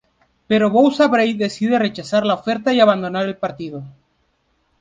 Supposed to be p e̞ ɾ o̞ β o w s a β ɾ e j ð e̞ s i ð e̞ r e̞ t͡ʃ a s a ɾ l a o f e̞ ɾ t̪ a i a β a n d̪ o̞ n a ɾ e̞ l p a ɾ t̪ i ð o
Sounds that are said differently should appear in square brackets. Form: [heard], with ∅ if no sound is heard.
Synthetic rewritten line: p e̞ ɾ o̞ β o w s a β ɾ e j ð e̞ s i ð e̞ r e̞ t͡ʃ a s a ɾ l a o f e̞ ɾ t̪ a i a β a n d̪ o̞ n a ɾ e̞ l p a ɾ t̪ i ð o

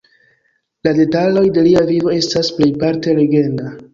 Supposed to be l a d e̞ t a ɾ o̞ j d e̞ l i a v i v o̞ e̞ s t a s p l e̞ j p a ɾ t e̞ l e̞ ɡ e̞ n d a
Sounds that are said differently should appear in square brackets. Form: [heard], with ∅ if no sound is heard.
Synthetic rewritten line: l a d e̞ t a [l] o̞ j d e̞ l i a v i v o̞ e̞ s t a s p l e̞ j p a ɾ t e̞ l e̞ ɡ e̞ n d a

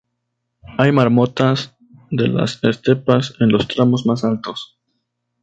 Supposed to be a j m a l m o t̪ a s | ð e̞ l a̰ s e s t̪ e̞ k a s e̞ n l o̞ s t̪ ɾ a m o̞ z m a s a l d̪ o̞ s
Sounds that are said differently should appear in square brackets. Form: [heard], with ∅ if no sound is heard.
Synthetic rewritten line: a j m a [ɾ] m o t̪ a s | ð e̞ l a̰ s e s t̪ e̞ [p] a s e̞ n l o̞ s t̪ ɾ a m o̞ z m a s a l [t̪] o̞ s

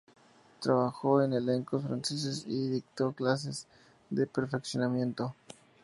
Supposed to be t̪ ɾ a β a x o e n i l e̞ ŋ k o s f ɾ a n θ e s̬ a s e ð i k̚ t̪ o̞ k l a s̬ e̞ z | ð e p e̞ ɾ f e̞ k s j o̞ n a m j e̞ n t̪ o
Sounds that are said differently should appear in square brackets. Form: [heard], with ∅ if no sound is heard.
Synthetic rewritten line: t̪ ɾ a β a x o e n [e] l e̞ ŋ k o s f ɾ a n [s] e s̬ [e] s [i] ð i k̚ t̪ o̞ k l a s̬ e̞ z | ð e p e̞ ɾ f e̞ k s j o̞ n a m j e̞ n t̪ o

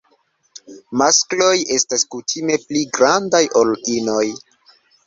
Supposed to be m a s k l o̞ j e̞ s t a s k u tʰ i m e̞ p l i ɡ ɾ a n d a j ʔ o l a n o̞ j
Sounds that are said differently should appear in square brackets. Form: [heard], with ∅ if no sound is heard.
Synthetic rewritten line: m a s k l o̞ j e̞ s t a s k u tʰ i m e̞ p l i ɡ ɾ a n d a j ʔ o l [i] n o̞ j

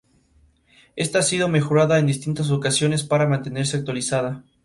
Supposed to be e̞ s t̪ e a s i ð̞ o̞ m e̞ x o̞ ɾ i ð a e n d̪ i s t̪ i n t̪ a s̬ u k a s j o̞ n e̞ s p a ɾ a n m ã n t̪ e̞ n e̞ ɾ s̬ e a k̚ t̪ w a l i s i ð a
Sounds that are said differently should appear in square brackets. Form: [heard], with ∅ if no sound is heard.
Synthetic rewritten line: e̞ s t̪ [a] a s i ð̞ o̞ m e̞ x o̞ ɾ [a] ð a e n d̪ i s t̪ i n t̪ a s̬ [o] k a s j o̞ n e̞ s p a ɾ a [∅] m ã n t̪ e̞ n e̞ ɾ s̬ e a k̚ t̪ w a l i s [a] ð a

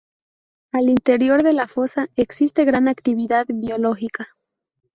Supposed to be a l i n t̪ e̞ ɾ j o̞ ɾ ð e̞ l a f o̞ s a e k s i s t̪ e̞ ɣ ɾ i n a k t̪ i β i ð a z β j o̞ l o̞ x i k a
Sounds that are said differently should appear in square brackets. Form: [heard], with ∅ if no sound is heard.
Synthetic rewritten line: a l i n t̪ e̞ ɾ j o̞ ɾ ð e̞ l a f o̞ s a e k s i s t̪ e̞ ɣ ɾ [a] n a k t̪ i β i ð a [ð] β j o̞ l o̞ x i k a

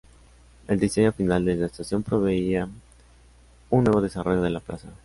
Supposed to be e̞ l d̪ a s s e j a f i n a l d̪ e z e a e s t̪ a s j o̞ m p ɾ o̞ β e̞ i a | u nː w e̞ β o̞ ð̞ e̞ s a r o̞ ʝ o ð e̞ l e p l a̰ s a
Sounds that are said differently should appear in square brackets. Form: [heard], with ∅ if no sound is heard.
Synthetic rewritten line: e̞ l d̪ [i] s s e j a f i n a l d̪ e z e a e s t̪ a s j o̞ m p ɾ o̞ β e̞ i a | u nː w e̞ β o̞ ð̞ e̞ s a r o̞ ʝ o ð e̞ l [a] p l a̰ s a

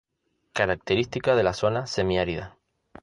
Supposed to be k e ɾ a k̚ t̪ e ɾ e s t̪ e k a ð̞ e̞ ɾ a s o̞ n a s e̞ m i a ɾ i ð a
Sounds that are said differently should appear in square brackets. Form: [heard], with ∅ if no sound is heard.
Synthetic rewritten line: k [a] ɾ a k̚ t̪ e ɾ [i] s t̪ [i] k a ð̞ e̞ [l] a s o̞ n a s e̞ m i a ɾ i ð a

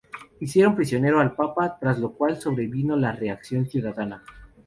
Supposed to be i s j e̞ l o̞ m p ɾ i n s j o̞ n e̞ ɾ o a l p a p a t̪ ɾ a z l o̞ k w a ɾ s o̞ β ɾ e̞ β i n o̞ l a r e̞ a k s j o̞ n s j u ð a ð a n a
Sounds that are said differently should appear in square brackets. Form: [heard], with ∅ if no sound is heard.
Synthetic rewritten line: i s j e̞ [ɾ] o̞ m p ɾ i [∅] s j o̞ n e̞ ɾ o a l p a p a t̪ ɾ a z l o̞ k w a [l] s o̞ β ɾ e̞ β i n o̞ l a r e̞ a k s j o̞ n s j u ð a ð a n a

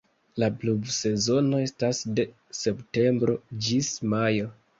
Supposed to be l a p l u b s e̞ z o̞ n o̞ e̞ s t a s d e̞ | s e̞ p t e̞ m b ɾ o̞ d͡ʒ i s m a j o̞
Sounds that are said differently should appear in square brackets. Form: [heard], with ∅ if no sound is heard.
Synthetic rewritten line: l a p l u b s e̞ z o̞ n o̞ e̞ s t a s d e̞ | s e̞ p t e̞ m b ɾ o̞ d͡ʒ i s m a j o̞

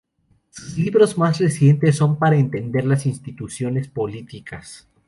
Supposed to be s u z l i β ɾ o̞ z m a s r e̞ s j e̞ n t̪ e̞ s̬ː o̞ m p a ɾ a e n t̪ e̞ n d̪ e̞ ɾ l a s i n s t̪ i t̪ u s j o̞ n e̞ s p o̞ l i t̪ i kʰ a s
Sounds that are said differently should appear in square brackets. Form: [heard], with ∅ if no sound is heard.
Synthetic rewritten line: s u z l i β ɾ o̞ z m a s r e̞ s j e̞ n t̪ e̞ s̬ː o̞ m p a ɾ a e n t̪ e̞ n d̪ e̞ ɾ l a s i n s t̪ i t̪ u s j o̞ n e̞ s p o̞ l i t̪ i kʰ a s

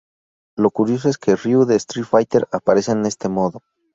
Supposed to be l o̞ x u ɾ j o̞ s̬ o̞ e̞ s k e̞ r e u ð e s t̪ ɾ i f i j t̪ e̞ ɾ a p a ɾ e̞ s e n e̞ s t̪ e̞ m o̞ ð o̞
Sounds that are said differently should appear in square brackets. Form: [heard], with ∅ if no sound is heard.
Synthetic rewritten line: l o̞ [k] u ɾ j o̞ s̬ o̞ e̞ s k e̞ r [i] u ð e s t̪ ɾ i f [a] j t̪ e̞ ɾ a p a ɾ e̞ s e n e̞ s t̪ e̞ m o̞ ð o̞

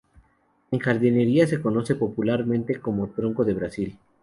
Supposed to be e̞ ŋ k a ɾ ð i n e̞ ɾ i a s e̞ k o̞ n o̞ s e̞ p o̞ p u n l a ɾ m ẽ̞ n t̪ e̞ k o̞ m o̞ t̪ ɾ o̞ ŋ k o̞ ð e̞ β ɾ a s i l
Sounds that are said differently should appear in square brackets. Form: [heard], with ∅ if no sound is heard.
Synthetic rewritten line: e̞ ŋ [x] a ɾ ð i n e̞ ɾ i a s e̞ k o̞ n o̞ s e̞ p o̞ p u [∅] l a ɾ m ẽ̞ n t̪ e̞ k o̞ m o̞ t̪ ɾ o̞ ŋ k o̞ ð e̞ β ɾ a s i l

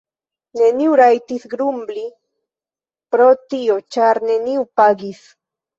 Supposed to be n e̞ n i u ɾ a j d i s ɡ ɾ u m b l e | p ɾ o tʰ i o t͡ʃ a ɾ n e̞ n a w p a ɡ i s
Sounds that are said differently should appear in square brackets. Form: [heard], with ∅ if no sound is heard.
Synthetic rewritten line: n e̞ n i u ɾ a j [t] i s ɡ ɾ u m b l [i] | p ɾ o [t] i o t͡ʃ a ɾ n e̞ n [i] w p a ɡ i s

